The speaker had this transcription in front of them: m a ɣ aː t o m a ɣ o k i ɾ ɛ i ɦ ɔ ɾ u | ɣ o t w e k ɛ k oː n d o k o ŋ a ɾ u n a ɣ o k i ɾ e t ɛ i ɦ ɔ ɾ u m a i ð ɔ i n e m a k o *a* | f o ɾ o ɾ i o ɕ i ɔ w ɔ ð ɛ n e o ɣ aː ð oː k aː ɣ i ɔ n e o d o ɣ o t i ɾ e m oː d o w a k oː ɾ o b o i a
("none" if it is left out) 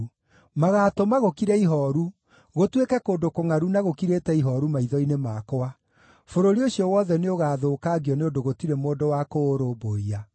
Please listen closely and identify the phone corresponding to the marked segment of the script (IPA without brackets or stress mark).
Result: a